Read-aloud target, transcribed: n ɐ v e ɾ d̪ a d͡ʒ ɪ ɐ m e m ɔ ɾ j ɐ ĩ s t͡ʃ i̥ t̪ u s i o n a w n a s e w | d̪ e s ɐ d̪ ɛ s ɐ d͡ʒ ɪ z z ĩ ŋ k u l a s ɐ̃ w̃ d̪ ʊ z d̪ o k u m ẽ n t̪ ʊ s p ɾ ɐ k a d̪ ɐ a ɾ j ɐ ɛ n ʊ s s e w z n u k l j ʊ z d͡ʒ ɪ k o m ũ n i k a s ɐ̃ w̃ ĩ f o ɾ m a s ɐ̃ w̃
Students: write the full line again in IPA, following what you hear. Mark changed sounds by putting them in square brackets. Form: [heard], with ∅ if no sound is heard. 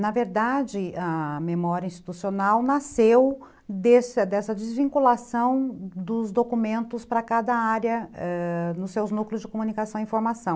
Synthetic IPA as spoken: n ɐ v e ɾ d̪ a d͡ʒ ɪ ɐ m e m ɔ ɾ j ɐ ĩ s t͡ʃ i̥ t̪ u s i o n a w n a s e w | d̪ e s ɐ d̪ ɛ s ɐ d͡ʒ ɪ z [v] ĩ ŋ k u l a s ɐ̃ w̃ d̪ ʊ z d̪ o k u m ẽ n t̪ ʊ s p ɾ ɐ k a d̪ ɐ a ɾ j ɐ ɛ n ʊ s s e w z n u k l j ʊ z d͡ʒ ɪ k o m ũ n i k a s ɐ̃ w̃ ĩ f o ɾ m a s ɐ̃ w̃